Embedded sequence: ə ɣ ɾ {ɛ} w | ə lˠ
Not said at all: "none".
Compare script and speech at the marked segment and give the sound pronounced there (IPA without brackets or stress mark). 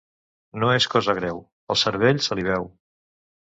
ɛ